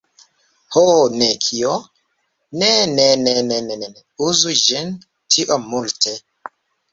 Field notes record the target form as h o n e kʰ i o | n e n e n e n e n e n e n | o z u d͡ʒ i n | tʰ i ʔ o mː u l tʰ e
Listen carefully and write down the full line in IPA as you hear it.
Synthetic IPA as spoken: h o n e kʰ i o | n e n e n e n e n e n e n | u z u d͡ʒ i n | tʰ i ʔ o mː u l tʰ e